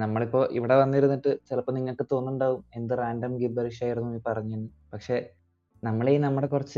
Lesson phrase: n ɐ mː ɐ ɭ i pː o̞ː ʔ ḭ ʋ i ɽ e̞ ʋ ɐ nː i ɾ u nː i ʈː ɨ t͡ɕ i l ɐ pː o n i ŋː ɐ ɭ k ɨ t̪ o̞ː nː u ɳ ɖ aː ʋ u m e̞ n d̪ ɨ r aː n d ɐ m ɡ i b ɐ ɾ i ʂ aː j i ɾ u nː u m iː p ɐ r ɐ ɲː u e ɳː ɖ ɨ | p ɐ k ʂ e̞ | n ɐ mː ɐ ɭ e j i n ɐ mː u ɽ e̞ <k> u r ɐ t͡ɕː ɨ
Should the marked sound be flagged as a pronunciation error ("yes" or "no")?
no